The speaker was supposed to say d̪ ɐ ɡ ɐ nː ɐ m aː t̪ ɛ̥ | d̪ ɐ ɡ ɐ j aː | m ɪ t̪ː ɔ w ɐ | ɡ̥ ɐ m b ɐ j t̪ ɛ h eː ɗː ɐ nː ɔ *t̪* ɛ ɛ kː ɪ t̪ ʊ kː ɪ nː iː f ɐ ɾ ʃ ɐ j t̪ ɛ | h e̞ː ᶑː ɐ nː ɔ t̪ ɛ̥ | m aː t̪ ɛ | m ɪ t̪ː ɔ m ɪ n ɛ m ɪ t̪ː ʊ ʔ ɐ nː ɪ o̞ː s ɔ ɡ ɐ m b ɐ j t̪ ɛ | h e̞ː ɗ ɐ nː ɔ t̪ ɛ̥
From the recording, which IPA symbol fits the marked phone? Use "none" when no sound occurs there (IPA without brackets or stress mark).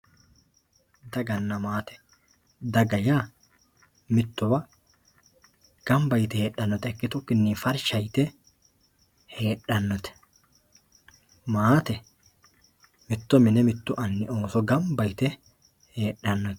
t̪